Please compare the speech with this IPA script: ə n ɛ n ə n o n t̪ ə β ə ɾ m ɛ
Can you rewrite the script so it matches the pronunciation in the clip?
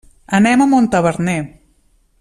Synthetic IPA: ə n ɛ m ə m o n t̪ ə β ə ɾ n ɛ